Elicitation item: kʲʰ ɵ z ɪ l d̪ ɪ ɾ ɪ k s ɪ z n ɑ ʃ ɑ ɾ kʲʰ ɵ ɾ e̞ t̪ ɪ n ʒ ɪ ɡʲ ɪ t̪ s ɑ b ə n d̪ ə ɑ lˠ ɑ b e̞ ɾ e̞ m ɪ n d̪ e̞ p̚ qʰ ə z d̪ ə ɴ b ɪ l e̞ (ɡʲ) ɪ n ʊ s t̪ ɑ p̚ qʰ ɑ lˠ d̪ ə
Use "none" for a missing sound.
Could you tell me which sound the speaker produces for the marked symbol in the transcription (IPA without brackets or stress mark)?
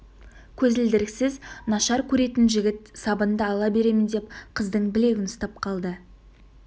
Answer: ɡʲ